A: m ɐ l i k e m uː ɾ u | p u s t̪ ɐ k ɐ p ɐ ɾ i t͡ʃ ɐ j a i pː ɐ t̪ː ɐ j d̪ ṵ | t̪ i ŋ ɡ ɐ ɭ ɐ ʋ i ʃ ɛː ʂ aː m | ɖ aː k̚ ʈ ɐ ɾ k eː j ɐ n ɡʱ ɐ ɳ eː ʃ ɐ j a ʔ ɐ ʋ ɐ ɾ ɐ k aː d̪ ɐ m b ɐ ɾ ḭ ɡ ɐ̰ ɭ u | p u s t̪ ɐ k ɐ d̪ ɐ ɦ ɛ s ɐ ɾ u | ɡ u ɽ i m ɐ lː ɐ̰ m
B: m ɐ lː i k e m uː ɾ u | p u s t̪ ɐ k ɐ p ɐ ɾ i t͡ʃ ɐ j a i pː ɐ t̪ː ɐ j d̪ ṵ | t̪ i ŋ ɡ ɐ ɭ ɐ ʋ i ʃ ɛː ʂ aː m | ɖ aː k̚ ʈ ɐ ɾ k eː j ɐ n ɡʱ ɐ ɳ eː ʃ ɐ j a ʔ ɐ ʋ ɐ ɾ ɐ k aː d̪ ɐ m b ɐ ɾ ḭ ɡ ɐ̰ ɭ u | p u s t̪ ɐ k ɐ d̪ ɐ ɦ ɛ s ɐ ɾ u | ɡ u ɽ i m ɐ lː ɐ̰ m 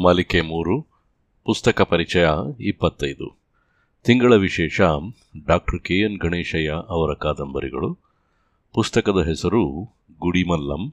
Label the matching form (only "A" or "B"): A